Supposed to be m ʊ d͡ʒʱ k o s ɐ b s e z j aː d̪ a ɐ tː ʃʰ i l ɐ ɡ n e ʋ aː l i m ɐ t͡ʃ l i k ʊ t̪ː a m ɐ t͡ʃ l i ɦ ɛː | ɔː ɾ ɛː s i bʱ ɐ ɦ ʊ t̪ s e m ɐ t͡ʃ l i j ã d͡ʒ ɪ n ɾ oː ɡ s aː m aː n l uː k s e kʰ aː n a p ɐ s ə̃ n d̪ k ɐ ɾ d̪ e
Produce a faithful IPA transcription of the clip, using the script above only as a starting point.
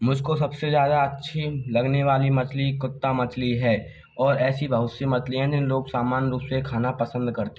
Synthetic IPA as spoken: m ʊ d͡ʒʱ k o s ɐ b s e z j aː d̪ a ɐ tː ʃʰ i l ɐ ɡ n e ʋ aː l i m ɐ t͡ʃ l i k ʊ t̪ː a m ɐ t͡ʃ l i ɦ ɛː | ɔː ɾ ɛː s i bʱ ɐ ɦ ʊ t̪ s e m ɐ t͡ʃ l i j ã d͡ʒ ɪ n l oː ɡ s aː m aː n ɾ uː p s e kʰ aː n a p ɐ s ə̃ n d̪ k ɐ ɾ t̪ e

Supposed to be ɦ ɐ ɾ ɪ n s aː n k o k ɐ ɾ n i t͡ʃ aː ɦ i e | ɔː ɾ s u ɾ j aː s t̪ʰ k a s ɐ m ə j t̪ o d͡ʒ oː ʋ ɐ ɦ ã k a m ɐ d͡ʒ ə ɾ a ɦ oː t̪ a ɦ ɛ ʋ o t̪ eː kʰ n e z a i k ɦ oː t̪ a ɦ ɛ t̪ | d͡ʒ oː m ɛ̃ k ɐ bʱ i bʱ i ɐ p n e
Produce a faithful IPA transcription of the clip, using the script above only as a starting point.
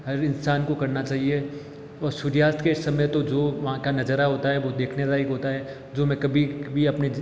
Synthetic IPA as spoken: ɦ ɐ ɾ ɪ n s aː n k o k ɐ ɾ n a t͡ʃ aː ɦ i e | ɔː ɾ s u ɾ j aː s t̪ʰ k e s ɐ m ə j t̪ o d͡ʒ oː ʋ ɐ ɦ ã k a n ɐ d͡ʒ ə ɾ a ɦ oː t̪ a ɦ ɛ ʋ o d̪ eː kʰ n e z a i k ɦ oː t̪ a ɦ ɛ | d͡ʒ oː m ɛ̃ k ɐ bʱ i bʱ i ɐ p n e

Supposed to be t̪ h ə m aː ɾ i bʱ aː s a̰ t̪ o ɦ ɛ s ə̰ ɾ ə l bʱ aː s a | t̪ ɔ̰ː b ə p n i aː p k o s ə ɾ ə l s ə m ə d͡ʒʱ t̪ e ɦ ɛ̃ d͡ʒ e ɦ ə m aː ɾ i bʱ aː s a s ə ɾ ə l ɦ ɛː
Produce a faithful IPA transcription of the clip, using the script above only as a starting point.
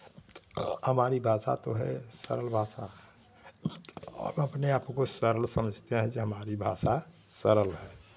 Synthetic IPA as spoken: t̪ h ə m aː ɾ i bʱ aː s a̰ t̪ o ɦ ɛ s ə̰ ɾ ə l bʱ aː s a | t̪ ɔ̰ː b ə p n e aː p k o s ə ɾ ə l s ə m ə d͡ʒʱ t̪ e ɦ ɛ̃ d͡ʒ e ɦ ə m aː ɾ i bʱ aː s a s ə ɾ ə l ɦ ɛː

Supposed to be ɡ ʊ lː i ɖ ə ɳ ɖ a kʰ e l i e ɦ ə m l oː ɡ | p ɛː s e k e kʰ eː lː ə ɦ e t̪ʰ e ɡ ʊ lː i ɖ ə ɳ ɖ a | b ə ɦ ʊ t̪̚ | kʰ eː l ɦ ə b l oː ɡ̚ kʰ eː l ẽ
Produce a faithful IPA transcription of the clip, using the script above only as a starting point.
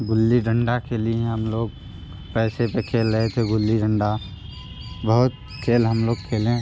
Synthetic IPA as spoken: ɡ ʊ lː i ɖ ə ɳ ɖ a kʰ e l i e ɦ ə m l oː ɡ | p ɛː s e p e kʰ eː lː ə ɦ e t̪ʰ e ɡ ʊ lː i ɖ ə ɳ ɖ a | b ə ɦ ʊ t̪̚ | kʰ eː l ɦ ə m l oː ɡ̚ kʰ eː l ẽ

